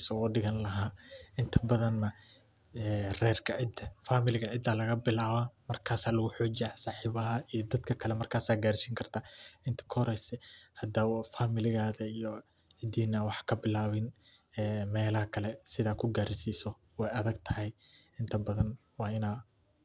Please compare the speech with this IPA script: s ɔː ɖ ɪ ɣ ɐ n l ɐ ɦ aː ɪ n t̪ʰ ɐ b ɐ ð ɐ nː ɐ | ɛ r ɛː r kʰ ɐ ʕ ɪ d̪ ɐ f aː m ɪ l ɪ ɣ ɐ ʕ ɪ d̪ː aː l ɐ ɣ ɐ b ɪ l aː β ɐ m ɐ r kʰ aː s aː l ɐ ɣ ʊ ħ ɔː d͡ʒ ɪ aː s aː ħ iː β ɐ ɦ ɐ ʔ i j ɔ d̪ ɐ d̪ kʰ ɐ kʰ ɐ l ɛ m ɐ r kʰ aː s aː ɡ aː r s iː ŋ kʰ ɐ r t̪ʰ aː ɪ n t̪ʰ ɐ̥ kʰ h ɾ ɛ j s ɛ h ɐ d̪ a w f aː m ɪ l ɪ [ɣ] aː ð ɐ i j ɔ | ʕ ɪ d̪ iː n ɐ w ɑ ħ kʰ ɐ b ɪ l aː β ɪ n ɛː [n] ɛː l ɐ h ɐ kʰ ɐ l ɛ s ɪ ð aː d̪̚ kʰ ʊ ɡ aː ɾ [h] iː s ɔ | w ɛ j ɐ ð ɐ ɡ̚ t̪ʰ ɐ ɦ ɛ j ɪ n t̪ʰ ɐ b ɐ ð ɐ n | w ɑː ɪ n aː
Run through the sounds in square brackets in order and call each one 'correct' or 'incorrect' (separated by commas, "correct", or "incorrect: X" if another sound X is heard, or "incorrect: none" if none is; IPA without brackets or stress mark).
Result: correct, incorrect: m, incorrect: s